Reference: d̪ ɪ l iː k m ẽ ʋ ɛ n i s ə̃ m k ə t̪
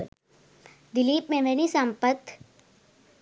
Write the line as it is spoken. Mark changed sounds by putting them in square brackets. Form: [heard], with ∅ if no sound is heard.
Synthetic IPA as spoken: d̪ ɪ l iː [p] m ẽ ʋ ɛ n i s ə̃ m [p] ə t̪

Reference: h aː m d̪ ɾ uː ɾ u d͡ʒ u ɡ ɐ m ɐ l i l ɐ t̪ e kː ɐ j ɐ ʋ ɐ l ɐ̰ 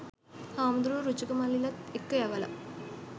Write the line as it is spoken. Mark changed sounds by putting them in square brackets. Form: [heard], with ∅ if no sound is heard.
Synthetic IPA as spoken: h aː m d̪ ɾ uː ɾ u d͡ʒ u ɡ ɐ m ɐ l i l ɐ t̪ e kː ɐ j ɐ ʋ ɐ l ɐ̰

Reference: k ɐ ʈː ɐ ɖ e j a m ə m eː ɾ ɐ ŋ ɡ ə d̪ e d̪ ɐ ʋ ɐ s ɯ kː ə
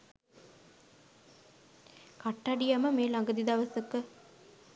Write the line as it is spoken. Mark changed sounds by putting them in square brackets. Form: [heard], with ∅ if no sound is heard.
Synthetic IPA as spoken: k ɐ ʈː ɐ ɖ [i] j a m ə m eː [l] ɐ ŋ ɡ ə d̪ [i] d̪ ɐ ʋ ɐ s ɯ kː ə

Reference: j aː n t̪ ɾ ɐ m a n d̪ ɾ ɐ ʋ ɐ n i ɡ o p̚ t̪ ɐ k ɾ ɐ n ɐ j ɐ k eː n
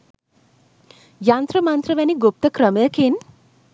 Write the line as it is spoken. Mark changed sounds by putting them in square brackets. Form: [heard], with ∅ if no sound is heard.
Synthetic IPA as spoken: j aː n t̪ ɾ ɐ m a n [t̪] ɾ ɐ ʋ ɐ n i ɡ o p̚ t̪ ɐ k ɾ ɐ [m] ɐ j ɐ k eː n

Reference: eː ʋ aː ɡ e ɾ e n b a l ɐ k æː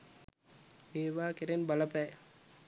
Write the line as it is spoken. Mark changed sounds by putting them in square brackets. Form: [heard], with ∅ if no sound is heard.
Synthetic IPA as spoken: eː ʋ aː [k] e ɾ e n b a l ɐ [p] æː

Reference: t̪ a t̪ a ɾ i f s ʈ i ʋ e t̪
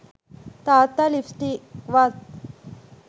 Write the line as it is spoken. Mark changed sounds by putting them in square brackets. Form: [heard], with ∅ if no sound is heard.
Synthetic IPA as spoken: t̪ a t̪ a [l] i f s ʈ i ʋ [a] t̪

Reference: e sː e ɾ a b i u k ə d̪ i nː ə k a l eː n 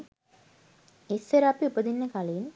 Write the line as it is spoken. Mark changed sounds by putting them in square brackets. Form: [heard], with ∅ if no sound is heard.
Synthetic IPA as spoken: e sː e ɾ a [p] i u [p] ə d̪ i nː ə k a l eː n

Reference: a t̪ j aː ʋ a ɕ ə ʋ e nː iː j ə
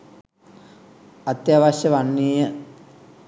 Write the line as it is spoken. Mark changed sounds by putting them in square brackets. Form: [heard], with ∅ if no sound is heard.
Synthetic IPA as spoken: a t̪ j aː ʋ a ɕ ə ʋ [a] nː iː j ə

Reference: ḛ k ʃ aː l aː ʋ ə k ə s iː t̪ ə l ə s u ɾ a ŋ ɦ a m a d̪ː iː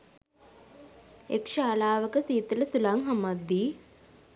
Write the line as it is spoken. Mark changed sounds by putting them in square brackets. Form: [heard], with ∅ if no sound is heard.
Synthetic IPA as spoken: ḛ k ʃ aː l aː ʋ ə k ə s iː t̪ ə l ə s u [l] a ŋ ɦ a m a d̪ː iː

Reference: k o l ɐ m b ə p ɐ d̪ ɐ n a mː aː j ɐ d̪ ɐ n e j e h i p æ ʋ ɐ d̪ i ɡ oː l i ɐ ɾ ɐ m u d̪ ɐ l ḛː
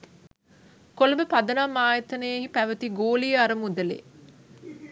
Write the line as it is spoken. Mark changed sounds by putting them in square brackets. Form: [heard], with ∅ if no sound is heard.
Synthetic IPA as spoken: k o l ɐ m b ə p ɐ d̪ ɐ n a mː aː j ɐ [t̪] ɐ n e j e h i p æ ʋ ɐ [t̪] i ɡ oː l i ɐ ɾ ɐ m u d̪ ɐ l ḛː

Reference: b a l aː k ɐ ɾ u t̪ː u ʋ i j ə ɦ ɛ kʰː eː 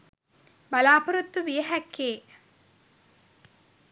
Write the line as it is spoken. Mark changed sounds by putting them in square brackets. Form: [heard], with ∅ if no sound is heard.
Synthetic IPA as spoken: b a l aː [p] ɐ ɾ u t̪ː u ʋ i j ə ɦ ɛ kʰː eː

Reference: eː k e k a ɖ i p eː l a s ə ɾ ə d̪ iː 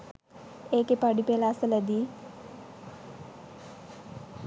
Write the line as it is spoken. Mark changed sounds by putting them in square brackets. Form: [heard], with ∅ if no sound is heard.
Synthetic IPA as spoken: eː k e [p] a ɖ i p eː l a s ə [l] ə d̪ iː

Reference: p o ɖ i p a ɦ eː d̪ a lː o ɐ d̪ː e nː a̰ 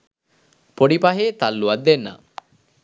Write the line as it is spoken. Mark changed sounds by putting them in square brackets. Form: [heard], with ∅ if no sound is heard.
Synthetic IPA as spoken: p o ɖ i p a ɦ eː [t̪] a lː [u] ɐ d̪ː e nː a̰

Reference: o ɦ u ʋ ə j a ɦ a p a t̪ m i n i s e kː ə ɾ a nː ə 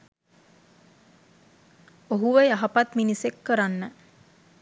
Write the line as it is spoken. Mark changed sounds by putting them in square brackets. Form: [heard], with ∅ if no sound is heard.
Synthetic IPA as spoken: o ɦ u ʋ ə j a ɦ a p a t̪ m i n i s e kː ə ɾ a nː ə

